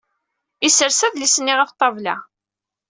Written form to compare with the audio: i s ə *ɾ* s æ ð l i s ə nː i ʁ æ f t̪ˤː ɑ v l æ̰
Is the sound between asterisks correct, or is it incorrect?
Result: correct